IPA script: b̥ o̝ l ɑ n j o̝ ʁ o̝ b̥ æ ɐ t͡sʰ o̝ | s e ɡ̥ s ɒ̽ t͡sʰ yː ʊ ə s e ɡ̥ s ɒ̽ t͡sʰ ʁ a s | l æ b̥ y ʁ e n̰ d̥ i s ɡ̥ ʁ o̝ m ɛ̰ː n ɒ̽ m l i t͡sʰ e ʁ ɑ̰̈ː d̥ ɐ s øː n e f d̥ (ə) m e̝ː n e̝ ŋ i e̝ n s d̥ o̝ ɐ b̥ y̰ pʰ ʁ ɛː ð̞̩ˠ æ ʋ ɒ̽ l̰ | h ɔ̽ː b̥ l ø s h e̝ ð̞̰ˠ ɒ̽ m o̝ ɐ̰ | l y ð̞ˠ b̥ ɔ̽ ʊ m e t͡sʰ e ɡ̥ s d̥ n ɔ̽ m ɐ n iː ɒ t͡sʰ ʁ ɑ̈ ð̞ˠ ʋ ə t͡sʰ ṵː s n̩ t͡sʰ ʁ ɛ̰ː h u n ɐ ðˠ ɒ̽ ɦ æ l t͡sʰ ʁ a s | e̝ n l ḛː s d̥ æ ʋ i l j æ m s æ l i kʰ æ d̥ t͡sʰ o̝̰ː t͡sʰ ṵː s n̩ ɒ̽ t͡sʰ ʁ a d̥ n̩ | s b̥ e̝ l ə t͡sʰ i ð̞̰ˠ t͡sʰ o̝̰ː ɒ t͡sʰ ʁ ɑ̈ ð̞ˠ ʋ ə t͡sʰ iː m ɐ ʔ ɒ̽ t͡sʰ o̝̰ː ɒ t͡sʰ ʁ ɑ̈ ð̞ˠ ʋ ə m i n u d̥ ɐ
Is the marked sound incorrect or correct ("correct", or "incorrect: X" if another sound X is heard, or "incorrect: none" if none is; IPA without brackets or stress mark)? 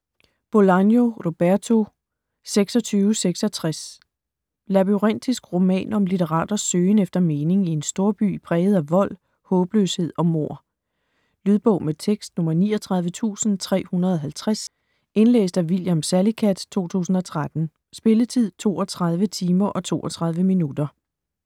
incorrect: ɐ